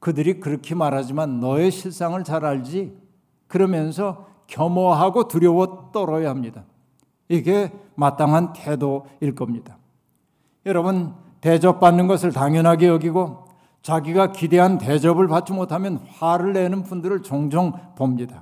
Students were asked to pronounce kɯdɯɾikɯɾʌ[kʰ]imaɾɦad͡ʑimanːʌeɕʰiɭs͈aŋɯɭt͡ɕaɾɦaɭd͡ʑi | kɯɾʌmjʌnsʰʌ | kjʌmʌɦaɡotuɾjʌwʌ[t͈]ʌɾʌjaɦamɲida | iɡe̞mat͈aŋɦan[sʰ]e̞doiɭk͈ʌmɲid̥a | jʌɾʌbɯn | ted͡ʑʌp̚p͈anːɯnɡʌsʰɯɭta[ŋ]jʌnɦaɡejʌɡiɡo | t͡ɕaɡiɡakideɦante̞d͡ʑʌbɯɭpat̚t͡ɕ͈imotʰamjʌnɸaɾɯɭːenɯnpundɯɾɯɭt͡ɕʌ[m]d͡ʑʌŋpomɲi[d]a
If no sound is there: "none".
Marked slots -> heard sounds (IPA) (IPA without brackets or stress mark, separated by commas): kʰ, t͈, tʰ, ŋ, ŋ, d